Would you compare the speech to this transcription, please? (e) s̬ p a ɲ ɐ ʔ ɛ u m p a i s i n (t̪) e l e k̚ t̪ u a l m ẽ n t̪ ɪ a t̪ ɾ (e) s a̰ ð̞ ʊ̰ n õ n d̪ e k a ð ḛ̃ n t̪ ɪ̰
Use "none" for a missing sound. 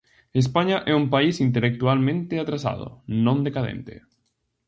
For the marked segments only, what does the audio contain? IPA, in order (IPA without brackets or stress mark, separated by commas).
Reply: e, t̪, a